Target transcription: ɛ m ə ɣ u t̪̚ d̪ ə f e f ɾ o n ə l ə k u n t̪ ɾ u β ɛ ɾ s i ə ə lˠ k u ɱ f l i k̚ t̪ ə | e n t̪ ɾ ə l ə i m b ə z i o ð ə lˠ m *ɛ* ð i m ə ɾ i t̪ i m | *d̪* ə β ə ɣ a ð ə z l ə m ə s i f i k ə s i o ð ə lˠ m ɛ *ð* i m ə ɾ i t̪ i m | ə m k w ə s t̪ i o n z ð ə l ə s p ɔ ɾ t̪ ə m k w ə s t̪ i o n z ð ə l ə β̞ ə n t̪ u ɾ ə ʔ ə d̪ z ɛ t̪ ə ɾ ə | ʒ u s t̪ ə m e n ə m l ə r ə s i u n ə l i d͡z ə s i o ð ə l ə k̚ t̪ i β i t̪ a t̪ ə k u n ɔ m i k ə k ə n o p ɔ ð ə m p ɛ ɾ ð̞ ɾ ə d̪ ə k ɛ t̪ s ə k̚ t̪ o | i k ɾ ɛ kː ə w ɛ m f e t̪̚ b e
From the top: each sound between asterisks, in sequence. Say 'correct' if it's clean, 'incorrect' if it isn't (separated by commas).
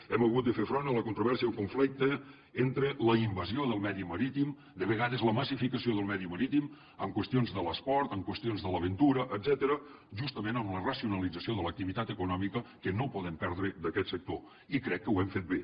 correct, correct, correct